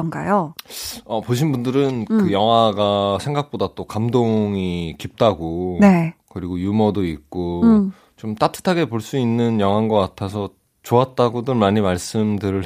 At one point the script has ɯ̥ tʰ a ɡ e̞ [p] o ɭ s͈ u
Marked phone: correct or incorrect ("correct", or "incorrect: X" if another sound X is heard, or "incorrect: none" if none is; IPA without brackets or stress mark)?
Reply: correct